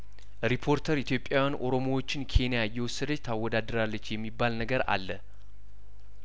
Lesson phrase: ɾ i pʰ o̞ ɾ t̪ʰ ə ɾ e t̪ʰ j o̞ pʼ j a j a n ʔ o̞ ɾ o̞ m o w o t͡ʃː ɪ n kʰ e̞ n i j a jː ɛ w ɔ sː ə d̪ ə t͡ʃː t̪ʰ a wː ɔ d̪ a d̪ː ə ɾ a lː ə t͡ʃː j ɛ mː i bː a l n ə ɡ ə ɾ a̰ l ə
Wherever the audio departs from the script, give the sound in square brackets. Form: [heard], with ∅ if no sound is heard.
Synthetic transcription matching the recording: ɾ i pʰ o̞ ɾ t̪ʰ ə ɾ [i] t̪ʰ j o̞ pʼ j a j a n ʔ o̞ ɾ o̞ m o w o t͡ʃː ɪ n kʰ e̞ n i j a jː ɛ w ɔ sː ə d̪ ə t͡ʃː t̪ʰ a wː ɔ d̪ a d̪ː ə ɾ a lː ə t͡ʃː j ɛ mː i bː a l n ə ɡ ə ɾ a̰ [lː] ə